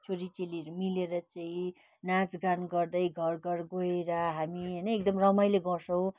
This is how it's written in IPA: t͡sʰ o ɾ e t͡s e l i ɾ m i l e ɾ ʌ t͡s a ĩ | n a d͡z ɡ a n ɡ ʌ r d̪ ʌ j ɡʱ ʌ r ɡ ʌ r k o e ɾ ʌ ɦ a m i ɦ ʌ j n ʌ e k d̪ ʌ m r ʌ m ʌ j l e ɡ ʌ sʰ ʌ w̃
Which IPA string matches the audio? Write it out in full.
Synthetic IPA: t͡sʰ o ɾ i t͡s e l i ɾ m i l e ɾ ʌ t͡s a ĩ | n a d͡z ɡ a n ɡ ʌ r d̪ ʌ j ɡʱ ʌ r ɡ ʌ r ɡ o e ɾ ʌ ɦ a m i ɦ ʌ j n ʌ e k d̪ ʌ m r ʌ m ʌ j l e ɡ ʌ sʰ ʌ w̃